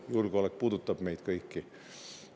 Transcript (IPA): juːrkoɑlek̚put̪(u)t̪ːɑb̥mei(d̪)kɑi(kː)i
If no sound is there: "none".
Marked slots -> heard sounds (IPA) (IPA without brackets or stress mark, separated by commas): u, t̪, kː